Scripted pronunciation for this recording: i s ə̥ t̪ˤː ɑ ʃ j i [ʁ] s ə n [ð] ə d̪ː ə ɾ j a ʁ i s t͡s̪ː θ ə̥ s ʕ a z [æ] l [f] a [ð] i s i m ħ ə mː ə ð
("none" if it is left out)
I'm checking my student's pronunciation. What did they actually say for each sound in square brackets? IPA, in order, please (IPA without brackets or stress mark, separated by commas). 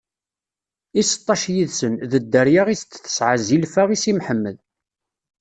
ð, ð, i, f, ʁ